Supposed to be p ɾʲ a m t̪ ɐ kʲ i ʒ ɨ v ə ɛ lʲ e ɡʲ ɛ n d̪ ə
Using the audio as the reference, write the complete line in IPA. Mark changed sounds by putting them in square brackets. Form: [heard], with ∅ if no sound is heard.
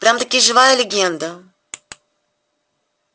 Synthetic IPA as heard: p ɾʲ a m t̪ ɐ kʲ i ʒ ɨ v [a] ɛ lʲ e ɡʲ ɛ n d̪ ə

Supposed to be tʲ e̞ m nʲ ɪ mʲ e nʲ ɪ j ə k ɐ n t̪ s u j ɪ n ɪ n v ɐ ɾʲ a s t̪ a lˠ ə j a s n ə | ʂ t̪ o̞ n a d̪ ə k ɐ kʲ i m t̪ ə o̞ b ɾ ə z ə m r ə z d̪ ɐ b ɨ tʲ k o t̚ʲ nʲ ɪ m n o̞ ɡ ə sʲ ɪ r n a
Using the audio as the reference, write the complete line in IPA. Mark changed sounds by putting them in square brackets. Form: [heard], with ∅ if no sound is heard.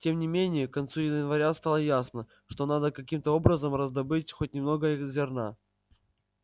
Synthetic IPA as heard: tʲ e̞ m nʲ ɪ mʲ e nʲ ɪ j ə k ɐ n t̪ s u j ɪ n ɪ n v ɐ ɾʲ a s t̪ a lˠ ə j a s n ə | ʂ t̪ o̞ n a d̪ ə k ɐ kʲ i m t̪ ə o̞ b ɾ ə z ə m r ə z d̪ ɐ b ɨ tʲ [x] o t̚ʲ nʲ ɪ m n o̞ ɡ ə [zʲ] ɪ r n a

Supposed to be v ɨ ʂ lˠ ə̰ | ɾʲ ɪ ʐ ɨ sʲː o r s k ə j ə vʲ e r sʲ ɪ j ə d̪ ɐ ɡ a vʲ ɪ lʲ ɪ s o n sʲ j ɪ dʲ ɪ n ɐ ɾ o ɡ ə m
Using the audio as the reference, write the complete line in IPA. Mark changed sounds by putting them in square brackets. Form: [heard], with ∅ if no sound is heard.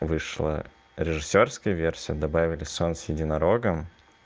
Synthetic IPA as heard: v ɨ ʂ lˠ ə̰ | ɾʲ ɪ ʐ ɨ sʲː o r s k ə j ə vʲ e r sʲ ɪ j ə d̪ ɐ [b] a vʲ ɪ lʲ ɪ s o n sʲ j ɪ dʲ ɪ n ɐ ɾ o ɡ ə m

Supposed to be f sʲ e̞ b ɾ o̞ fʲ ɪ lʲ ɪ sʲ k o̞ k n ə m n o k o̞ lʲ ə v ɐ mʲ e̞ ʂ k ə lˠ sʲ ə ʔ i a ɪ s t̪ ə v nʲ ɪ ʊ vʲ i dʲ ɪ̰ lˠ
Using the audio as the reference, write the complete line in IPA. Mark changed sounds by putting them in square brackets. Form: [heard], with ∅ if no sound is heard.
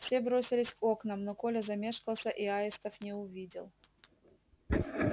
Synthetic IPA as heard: f sʲ e̞ b ɾ o̞ [sʲ] ɪ lʲ ɪ sʲ k o̞ k n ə m n o k o̞ lʲ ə [z] ɐ mʲ e̞ ʂ k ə lˠ sʲ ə ʔ i a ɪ s t̪ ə [f] nʲ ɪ ʊ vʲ i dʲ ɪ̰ lˠ

